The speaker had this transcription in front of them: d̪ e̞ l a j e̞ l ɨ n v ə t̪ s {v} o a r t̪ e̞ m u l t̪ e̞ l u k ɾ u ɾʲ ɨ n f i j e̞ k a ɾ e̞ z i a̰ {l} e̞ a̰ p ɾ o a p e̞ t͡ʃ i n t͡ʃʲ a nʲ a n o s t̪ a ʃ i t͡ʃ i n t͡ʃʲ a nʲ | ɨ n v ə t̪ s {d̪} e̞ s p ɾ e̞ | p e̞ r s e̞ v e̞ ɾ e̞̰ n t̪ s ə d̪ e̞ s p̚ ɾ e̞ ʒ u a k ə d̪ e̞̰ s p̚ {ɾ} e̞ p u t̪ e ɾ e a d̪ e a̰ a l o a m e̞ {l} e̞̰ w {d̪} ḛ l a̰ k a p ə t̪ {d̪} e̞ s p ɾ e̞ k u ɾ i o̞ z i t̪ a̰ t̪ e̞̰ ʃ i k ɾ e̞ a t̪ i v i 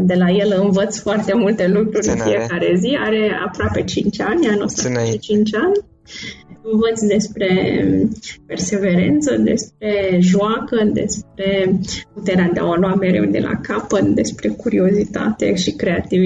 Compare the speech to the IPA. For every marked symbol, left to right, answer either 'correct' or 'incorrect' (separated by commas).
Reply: incorrect, incorrect, correct, correct, incorrect, correct, correct